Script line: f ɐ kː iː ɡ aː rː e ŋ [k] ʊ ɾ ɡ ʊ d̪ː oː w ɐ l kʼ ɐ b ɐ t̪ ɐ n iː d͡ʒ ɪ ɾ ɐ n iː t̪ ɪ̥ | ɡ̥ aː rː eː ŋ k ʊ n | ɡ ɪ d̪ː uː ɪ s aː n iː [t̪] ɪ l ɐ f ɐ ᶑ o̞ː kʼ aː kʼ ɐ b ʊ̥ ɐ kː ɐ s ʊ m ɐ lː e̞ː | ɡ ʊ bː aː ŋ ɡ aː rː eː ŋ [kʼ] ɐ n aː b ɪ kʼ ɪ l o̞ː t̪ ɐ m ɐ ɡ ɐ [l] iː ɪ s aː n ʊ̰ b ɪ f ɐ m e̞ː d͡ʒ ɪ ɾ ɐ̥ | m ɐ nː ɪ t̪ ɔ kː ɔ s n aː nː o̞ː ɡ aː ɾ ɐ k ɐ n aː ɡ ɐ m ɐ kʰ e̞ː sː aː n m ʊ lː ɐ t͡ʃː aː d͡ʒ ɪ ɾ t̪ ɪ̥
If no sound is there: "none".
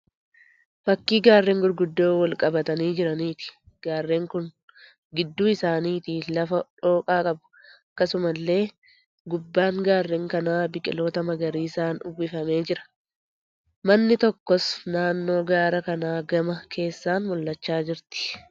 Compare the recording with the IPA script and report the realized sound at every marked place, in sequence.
ɡ, t̪, k, ɾ

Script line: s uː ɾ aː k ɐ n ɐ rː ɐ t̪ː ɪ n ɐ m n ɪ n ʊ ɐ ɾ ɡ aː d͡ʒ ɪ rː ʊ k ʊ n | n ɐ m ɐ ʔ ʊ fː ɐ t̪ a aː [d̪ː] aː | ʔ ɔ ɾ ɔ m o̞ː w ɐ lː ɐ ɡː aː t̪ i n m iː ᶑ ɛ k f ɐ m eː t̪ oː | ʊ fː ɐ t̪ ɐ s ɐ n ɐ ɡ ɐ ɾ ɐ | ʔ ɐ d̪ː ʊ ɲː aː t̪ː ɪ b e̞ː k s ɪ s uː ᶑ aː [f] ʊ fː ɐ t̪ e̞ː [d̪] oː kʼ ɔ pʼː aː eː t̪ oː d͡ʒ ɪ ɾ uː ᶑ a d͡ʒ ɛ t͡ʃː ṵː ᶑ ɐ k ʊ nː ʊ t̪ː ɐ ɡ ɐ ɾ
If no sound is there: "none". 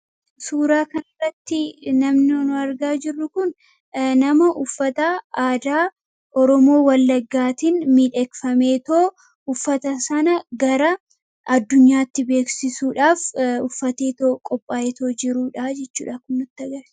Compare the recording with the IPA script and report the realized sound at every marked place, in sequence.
d̪, f, t̪

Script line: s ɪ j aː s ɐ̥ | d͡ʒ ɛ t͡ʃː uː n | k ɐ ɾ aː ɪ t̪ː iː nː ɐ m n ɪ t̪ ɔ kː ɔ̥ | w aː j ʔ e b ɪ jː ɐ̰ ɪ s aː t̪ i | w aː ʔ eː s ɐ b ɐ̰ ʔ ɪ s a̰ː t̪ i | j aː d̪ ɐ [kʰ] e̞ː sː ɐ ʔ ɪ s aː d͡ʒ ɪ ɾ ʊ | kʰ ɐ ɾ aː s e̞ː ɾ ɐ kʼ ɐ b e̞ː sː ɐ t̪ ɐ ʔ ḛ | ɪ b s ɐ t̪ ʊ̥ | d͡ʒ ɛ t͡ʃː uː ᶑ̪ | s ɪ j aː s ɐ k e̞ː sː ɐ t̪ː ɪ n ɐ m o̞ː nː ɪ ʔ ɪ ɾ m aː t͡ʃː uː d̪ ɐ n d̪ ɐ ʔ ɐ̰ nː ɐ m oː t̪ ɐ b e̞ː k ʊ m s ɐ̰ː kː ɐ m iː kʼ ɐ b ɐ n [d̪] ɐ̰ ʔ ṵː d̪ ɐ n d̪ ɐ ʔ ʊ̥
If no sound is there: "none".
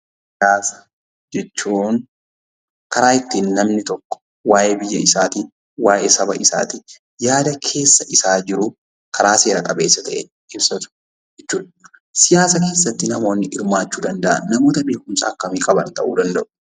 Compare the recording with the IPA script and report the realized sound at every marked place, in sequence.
kʰ, t̪

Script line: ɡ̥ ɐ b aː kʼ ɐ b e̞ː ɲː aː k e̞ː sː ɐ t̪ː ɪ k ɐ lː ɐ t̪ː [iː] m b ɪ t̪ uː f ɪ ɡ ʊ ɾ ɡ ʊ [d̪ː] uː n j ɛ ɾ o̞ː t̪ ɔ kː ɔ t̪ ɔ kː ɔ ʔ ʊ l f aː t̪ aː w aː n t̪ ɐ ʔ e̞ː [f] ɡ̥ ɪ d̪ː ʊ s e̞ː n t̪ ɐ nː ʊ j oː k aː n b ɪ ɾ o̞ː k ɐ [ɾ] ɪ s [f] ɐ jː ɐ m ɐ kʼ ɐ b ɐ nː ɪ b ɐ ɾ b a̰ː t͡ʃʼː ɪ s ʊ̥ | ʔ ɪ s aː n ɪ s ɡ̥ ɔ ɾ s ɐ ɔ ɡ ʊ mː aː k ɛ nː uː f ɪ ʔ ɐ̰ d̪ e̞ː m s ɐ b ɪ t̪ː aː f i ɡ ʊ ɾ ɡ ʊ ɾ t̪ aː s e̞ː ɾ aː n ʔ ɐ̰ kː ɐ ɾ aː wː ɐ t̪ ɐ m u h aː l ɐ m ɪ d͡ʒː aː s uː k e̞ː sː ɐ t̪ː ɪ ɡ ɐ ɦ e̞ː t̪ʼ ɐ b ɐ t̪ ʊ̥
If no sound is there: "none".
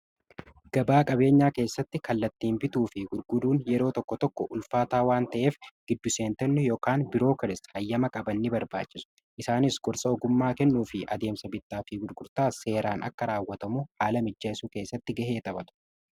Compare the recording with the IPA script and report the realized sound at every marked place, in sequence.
iː, d̪, f, ɾ, h

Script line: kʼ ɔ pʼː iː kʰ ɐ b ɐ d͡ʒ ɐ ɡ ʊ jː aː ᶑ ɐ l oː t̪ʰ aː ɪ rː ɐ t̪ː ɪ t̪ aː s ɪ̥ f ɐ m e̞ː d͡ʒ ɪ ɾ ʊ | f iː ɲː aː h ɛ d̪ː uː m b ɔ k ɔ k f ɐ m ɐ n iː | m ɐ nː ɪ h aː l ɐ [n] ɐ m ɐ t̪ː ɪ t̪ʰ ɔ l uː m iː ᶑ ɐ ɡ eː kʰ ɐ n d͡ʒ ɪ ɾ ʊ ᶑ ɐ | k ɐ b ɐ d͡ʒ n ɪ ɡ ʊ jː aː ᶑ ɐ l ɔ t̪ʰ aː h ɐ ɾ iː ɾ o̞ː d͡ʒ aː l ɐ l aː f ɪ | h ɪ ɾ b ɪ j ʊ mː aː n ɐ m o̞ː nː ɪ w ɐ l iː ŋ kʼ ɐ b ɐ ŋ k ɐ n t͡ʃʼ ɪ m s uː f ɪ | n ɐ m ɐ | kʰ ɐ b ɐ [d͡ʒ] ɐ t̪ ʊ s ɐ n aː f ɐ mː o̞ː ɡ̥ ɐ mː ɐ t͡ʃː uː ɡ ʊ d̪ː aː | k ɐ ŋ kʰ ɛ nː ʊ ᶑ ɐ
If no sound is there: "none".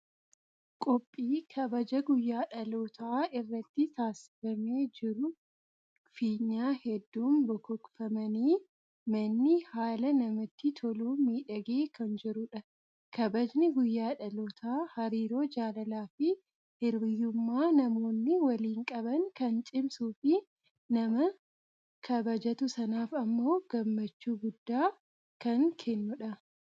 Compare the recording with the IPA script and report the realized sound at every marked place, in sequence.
n, d͡ʒ

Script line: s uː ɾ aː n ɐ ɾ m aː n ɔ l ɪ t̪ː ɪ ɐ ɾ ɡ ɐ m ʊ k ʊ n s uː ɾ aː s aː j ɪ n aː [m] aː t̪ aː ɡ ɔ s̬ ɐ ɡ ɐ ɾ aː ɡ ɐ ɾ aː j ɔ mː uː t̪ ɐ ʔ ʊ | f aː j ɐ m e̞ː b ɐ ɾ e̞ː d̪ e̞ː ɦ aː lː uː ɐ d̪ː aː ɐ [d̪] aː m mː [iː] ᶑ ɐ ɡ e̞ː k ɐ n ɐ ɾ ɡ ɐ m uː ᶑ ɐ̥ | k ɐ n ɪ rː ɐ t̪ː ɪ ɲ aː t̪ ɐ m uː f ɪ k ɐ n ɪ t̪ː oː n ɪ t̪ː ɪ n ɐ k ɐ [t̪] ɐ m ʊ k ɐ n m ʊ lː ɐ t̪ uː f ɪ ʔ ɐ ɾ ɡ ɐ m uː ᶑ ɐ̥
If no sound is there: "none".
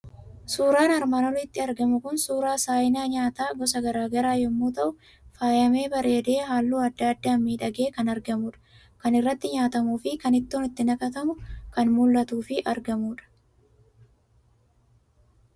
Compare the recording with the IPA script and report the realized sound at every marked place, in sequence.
ɲ, d̪ː, iː, t̪

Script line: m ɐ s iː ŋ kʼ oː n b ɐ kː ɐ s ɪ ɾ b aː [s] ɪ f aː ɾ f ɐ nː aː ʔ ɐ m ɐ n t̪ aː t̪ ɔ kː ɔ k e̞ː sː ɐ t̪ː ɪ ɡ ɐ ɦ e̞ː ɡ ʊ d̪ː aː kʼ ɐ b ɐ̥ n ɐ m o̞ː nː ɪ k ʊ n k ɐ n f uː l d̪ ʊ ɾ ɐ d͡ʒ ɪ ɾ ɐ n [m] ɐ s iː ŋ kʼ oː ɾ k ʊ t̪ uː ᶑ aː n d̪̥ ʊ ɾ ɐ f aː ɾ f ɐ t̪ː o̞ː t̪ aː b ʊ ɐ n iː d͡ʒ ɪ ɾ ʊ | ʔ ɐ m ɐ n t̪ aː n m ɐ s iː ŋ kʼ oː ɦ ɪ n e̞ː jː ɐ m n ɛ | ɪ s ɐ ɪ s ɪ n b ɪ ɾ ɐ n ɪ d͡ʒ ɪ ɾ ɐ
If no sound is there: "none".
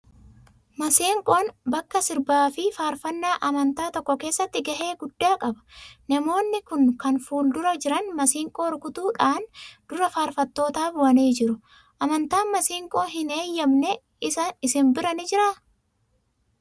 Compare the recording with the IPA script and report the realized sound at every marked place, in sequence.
f, m

